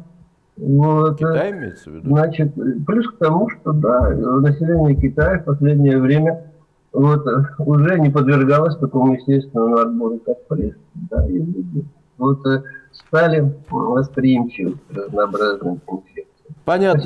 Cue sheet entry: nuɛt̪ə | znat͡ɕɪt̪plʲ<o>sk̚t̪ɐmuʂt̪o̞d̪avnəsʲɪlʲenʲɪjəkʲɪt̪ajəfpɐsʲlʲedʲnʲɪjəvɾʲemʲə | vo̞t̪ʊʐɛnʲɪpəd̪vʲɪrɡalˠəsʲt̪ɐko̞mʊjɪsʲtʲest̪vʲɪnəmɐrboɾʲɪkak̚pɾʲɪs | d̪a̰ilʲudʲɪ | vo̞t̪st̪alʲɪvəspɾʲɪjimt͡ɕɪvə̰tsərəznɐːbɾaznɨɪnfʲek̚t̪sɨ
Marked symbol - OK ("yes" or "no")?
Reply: no